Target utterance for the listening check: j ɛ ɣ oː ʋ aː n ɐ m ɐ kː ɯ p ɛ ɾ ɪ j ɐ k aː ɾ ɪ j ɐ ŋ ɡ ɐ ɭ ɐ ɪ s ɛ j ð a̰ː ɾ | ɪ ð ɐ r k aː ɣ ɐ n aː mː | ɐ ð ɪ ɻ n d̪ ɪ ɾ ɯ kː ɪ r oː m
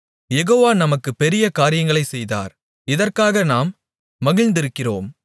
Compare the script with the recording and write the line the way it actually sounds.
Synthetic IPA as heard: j ɛ ɣ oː ʋ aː n ɐ m ɐ kː ɯ p ɛ ɾ ɪ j ɐ k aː ɾ ɪ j ɐ ŋ ɡ ɐ ɭ ɐ ɪ s ɛ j ð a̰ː ɾ | ɪ ð ɐ r k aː ɣ ɐ n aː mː | ɐ ɣ ɪ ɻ n d̪ ɪ ɾ ɯ kː ɪ r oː m